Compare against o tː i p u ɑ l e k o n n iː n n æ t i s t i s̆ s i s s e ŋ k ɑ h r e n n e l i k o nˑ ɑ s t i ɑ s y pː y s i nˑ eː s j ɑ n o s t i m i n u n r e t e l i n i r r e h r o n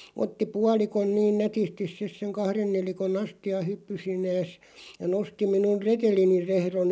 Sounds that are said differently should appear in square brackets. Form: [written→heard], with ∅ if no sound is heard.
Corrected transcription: o tː i p u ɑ l [e→i] k o n n iː n n æ t i s t i s̆ s i s s e ŋ k ɑ h r e n n e l i k o nˑ ɑ s t i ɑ [s→h] y pː y s i nˑ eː s j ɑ n o s t i m i n u n r e t e l i n i r r e h r o n